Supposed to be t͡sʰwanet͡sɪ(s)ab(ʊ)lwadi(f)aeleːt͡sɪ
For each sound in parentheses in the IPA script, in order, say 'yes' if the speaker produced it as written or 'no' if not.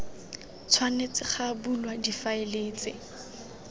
no, no, yes

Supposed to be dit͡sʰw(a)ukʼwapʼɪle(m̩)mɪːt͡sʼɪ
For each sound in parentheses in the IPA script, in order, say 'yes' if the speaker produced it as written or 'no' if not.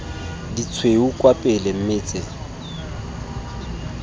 no, yes

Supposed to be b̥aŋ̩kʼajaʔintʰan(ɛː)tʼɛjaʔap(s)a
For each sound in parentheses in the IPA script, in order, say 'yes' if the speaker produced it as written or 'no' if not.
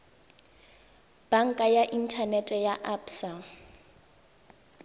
no, yes

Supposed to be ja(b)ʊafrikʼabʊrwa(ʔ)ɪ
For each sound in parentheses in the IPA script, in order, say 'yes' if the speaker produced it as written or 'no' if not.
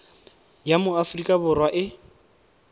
no, yes

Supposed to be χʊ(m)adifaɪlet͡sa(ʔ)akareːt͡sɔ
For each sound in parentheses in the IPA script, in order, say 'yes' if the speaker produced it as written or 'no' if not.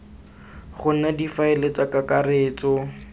no, no

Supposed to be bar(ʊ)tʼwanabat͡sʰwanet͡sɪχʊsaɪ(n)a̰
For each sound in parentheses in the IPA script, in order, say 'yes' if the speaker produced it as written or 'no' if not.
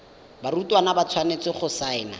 no, yes

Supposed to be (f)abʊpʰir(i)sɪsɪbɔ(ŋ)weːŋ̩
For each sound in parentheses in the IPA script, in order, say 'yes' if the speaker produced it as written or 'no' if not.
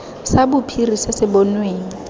no, yes, no

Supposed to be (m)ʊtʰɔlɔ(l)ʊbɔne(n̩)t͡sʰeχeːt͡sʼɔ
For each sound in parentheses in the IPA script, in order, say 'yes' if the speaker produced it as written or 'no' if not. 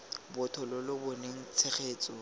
no, yes, no

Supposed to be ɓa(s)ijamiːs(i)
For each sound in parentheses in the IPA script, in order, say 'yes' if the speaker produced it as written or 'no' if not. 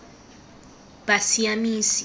yes, yes

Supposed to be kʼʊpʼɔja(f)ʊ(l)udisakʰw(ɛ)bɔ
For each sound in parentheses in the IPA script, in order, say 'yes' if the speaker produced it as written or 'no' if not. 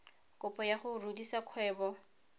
no, no, no

